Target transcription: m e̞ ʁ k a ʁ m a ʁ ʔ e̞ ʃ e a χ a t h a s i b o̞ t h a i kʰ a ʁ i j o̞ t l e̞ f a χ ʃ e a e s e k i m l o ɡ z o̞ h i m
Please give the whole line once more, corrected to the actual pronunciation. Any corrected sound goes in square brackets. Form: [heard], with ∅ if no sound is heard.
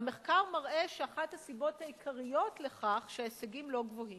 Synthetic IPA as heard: m e̞ [χ] k a ʁ m a ʁ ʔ e̞ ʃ e a χ a t h a s i b o̞ t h a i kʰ a ʁ i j o̞ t l e̞ [χ] a χ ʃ e a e s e [ɡ] i m l o ɡ [v] o̞ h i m